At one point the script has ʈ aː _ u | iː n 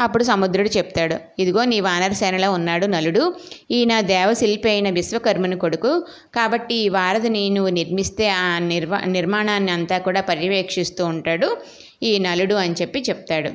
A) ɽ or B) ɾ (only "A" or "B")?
A